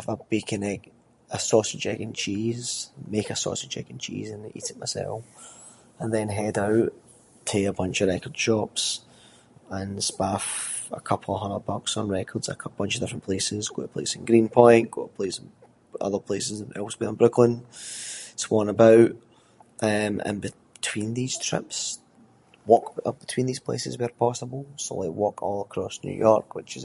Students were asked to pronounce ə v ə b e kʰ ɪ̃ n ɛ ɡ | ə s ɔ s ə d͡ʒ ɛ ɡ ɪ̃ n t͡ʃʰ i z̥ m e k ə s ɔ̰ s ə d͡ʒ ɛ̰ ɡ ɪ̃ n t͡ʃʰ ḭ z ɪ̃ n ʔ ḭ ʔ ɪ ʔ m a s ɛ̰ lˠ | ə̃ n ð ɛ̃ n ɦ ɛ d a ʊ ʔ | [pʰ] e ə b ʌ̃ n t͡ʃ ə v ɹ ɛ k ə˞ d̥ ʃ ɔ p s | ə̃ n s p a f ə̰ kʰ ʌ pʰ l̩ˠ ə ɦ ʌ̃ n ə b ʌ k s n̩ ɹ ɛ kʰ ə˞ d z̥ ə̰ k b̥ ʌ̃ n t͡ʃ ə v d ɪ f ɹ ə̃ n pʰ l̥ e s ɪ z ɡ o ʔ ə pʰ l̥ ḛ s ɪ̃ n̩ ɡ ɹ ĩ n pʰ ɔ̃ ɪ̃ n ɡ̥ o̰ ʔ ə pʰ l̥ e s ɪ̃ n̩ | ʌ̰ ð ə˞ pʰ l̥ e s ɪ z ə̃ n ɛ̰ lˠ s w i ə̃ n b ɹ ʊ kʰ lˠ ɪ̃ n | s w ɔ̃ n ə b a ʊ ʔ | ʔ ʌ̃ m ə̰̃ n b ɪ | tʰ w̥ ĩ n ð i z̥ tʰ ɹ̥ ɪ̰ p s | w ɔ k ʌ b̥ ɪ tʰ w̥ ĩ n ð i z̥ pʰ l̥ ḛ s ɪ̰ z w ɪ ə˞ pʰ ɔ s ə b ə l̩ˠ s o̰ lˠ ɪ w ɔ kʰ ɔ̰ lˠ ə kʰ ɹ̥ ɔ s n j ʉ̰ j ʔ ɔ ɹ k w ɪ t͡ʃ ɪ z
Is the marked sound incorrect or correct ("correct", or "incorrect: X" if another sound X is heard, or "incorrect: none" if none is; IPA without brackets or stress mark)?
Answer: incorrect: tʰ